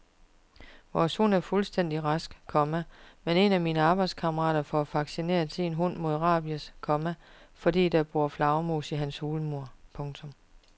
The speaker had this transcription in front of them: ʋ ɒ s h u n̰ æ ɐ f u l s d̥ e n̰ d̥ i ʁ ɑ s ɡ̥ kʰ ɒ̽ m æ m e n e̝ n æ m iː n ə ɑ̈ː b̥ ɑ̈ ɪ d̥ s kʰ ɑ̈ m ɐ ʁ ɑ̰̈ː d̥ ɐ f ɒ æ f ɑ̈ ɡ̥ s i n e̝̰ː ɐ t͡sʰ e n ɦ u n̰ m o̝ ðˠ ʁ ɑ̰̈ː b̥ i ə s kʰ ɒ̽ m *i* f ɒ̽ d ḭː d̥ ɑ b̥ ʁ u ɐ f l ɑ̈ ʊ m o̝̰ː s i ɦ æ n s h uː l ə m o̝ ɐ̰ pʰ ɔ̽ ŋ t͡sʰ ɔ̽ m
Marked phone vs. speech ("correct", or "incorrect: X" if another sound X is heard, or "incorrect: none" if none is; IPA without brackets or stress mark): incorrect: æ